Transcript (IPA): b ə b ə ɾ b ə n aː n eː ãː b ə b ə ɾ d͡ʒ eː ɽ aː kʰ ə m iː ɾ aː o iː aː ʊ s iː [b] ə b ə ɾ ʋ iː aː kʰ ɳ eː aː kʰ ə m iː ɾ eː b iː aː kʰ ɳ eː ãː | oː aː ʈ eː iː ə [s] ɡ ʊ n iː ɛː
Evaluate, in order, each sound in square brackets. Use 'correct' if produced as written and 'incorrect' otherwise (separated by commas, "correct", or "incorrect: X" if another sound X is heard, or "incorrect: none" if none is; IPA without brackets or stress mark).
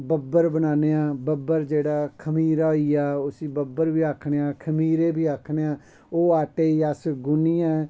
correct, correct